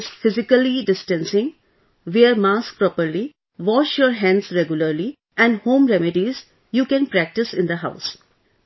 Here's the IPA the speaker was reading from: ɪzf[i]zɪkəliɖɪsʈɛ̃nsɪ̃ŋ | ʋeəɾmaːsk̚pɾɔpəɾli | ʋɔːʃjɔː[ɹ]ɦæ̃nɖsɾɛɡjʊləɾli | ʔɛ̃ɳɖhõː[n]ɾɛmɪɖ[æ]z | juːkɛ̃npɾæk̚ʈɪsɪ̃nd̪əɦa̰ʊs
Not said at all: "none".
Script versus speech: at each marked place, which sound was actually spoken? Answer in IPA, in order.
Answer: ɪ, ɾ, m, i

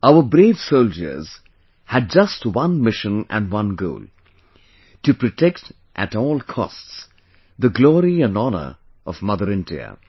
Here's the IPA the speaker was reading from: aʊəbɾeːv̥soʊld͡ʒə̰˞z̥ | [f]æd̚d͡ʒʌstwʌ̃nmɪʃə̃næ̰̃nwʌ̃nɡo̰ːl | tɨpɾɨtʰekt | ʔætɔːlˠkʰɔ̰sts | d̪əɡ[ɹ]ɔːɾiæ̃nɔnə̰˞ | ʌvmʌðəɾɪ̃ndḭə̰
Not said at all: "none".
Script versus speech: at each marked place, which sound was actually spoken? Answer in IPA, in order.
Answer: h, l

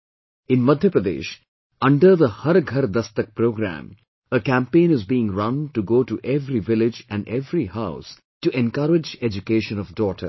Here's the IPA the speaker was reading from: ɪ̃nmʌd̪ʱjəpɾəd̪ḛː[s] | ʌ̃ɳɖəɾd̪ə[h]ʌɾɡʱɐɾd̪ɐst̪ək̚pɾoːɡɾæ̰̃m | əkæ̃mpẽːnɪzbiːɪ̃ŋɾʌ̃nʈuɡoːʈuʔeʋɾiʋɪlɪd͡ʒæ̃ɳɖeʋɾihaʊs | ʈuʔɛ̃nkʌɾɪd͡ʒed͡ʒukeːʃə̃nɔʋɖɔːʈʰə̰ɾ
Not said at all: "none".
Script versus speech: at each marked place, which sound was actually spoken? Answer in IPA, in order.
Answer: ʃ, h

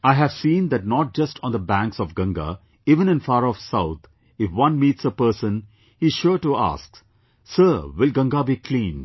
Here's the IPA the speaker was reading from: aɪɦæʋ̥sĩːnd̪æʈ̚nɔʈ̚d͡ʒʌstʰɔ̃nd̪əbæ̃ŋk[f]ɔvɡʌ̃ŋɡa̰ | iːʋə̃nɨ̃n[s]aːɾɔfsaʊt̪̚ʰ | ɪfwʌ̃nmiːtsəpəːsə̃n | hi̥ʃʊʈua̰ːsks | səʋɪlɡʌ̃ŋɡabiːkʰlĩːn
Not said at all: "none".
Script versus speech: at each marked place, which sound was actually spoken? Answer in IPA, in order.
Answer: s, f

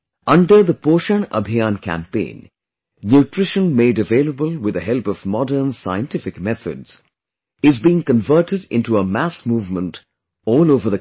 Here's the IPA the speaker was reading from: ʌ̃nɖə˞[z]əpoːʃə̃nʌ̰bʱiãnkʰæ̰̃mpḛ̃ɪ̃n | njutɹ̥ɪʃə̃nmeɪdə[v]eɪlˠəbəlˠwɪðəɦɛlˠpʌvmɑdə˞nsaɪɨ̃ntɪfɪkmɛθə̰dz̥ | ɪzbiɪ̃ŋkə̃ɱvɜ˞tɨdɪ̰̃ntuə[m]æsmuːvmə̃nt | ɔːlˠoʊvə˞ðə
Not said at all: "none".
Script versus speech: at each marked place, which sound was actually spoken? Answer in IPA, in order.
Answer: ð, v, m

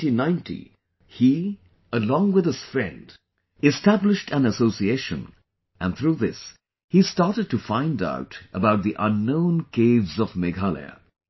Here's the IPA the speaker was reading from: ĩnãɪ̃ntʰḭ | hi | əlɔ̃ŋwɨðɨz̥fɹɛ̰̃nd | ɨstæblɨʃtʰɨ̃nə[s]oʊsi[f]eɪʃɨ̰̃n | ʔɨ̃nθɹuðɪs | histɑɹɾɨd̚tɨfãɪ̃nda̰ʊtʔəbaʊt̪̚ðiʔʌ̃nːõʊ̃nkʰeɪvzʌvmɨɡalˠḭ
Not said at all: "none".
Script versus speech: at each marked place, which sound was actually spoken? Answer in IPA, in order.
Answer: s, none

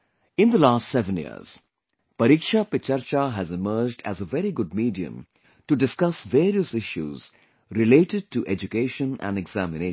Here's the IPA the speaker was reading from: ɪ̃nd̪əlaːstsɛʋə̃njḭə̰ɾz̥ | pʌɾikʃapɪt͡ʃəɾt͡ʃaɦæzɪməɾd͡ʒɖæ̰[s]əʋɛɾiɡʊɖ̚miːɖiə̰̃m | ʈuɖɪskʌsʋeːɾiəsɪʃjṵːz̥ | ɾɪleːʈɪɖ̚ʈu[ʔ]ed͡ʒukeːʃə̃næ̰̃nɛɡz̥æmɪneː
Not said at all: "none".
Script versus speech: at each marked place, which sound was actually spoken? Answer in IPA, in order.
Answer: z, ʔ

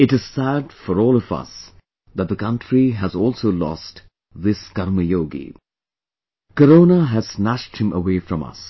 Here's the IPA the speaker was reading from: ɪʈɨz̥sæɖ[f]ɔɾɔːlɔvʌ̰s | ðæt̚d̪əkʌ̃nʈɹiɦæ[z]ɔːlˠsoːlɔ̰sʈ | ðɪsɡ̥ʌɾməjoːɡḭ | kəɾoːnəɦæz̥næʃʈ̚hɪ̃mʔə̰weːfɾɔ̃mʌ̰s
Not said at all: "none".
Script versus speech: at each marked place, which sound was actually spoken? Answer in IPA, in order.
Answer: f, z

